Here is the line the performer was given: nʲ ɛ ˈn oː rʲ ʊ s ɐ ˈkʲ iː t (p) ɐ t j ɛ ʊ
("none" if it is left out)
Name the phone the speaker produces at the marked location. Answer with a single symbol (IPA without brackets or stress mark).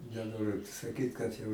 k